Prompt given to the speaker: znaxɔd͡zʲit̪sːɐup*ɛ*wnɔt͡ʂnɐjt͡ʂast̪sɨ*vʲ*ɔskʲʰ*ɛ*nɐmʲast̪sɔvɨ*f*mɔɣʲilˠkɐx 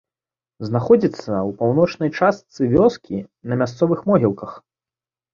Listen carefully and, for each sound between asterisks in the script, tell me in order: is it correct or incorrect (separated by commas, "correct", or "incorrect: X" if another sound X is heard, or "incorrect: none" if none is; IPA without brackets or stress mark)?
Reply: incorrect: a, correct, incorrect: i, incorrect: x